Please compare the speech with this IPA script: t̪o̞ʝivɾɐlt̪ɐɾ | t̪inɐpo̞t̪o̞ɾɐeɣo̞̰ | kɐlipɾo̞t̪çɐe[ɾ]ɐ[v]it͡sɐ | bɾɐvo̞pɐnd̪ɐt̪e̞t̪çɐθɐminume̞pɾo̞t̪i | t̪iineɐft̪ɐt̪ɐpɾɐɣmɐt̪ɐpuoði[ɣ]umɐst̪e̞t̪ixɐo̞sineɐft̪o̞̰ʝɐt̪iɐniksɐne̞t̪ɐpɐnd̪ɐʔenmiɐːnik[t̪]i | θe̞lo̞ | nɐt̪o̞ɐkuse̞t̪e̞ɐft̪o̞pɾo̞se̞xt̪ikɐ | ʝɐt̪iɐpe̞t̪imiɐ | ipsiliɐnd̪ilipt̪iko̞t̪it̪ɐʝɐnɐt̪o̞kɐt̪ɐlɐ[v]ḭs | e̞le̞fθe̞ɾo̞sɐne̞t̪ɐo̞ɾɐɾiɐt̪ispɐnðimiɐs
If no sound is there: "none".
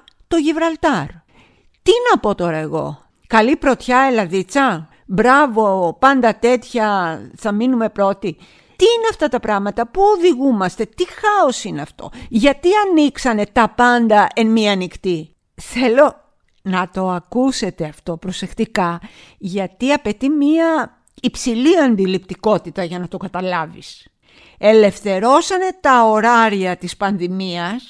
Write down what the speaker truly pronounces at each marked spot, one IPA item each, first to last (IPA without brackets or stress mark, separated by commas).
l, ð, ɣ, t̪, v